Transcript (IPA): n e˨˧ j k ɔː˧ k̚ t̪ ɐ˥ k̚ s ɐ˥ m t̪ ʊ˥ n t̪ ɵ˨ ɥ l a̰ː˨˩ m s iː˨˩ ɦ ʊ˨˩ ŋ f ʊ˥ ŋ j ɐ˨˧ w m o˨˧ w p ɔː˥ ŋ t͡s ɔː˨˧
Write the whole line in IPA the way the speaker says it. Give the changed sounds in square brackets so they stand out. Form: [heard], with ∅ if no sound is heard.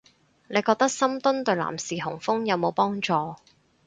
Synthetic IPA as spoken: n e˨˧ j k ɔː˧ k̚ t̪ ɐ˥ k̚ s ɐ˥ m t̪ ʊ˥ n t̪ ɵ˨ ɥ l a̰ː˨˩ m s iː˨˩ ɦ ʊ˨˩ ŋ f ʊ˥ ŋ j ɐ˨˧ w m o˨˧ w p ɔː˥ ŋ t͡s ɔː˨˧

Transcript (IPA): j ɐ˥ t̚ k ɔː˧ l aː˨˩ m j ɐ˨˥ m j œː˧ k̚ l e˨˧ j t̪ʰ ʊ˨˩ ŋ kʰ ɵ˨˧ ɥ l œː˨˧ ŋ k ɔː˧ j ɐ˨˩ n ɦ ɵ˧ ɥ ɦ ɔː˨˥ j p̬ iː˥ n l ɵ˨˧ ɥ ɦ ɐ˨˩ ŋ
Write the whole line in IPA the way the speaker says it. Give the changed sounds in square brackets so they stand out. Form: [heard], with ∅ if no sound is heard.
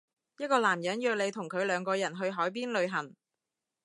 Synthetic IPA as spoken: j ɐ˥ t̚ k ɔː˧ l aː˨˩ m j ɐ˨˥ [n] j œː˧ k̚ l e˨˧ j t̪ʰ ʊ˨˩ ŋ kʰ ɵ˨˧ ɥ l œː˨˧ ŋ k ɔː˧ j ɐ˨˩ n ɦ ɵ˧ ɥ ɦ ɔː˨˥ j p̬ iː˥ n l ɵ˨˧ ɥ ɦ ɐ˨˩ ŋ

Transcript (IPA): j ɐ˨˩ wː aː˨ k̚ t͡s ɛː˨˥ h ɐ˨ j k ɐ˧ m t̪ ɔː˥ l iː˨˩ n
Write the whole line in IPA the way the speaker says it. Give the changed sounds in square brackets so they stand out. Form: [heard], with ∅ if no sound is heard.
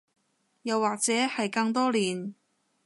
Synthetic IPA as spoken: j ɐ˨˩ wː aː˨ k̚ t͡s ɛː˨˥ h ɐ˨ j k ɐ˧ [ŋ] t̪ ɔː˥ l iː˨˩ n

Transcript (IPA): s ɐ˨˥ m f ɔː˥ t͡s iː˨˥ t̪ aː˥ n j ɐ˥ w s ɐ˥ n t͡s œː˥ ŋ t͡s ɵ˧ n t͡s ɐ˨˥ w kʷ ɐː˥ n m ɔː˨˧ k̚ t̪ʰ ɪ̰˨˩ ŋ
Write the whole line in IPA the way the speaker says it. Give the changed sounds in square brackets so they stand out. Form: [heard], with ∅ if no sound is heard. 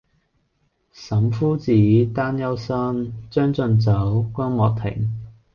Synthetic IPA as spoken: s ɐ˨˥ m f [uː˥] t͡s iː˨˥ t̪ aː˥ n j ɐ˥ w s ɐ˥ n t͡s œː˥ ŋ t͡s ɵ˧ n t͡s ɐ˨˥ w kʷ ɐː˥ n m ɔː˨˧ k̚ t̪ʰ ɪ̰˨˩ ŋ

